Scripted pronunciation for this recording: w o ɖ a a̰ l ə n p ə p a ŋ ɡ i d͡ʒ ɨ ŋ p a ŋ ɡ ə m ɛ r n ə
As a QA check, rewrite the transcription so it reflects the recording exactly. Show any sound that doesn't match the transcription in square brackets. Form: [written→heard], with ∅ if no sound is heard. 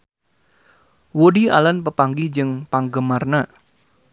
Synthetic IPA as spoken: w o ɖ [a→i] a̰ l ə n p ə p a ŋ ɡ i d͡ʒ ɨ ŋ p a ŋ ɡ ə m [ɛ→a] r n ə